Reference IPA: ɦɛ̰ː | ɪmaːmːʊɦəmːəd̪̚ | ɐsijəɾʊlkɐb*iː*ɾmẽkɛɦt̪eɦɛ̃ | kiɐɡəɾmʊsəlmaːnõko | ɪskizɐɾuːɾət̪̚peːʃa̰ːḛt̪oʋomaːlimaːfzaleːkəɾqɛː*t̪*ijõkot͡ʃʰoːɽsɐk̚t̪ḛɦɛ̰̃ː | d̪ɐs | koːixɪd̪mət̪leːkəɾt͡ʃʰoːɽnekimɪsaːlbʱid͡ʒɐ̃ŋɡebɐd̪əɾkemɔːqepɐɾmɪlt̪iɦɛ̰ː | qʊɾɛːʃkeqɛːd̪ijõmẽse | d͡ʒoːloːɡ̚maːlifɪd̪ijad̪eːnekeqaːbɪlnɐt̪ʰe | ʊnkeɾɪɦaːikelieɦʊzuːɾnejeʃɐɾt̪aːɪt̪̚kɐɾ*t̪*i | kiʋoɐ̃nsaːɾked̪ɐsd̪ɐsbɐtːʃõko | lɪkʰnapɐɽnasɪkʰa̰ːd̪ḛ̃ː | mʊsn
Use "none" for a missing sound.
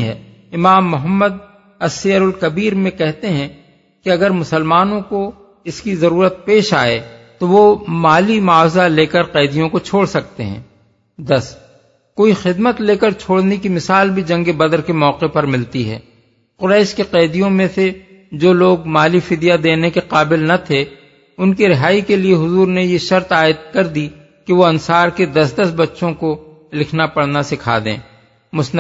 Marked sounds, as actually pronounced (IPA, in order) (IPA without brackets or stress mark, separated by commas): iː, d̪, d̪